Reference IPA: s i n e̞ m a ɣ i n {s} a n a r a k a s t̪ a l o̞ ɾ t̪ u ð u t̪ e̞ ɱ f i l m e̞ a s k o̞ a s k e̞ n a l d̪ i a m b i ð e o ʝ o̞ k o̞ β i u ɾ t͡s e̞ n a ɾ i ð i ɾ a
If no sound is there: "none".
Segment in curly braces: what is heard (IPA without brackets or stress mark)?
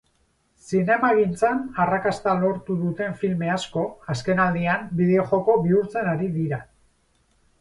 t͡s